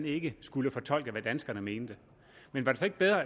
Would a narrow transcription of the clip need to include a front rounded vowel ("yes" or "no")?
no